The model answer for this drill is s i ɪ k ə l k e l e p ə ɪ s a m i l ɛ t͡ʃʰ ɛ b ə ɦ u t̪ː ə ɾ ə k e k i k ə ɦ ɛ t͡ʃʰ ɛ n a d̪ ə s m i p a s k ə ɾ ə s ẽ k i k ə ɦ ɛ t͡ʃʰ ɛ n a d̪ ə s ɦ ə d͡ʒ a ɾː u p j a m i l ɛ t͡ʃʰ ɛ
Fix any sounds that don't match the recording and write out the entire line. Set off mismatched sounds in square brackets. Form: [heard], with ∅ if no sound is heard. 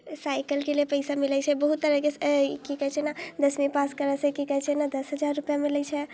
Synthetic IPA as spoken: s [a] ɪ k ə l k e l e p ə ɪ s a m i l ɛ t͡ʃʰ ɛ b ə ɦ u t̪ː ə ɾ ə k e k i k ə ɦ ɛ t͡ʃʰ ɛ n a d̪ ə s m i p a s k ə ɾ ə s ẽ k i k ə ɦ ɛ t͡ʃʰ ɛ n a d̪ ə s ɦ ə d͡ʒ a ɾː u p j a m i l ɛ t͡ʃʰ ɛ